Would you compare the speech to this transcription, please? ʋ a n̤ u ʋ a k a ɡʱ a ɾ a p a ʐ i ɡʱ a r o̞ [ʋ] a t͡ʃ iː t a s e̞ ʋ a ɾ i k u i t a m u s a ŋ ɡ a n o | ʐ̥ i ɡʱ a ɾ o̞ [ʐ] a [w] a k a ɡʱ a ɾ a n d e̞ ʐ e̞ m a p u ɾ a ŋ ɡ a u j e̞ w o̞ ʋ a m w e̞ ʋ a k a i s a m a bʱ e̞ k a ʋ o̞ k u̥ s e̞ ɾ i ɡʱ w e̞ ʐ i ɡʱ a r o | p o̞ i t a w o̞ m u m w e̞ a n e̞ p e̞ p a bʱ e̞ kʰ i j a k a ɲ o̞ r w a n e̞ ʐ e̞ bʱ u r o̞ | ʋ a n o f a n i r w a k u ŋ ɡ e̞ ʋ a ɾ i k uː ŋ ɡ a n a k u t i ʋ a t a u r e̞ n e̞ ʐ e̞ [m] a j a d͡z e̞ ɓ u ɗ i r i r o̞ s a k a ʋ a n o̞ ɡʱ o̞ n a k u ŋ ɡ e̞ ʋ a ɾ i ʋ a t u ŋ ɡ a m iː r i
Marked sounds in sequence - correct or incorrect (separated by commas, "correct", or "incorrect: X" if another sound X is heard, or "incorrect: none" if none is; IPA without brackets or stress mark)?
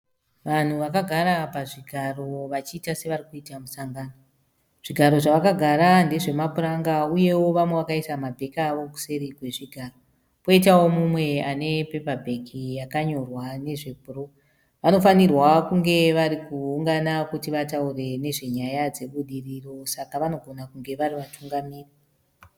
correct, correct, incorrect: ʋ, incorrect: ɲ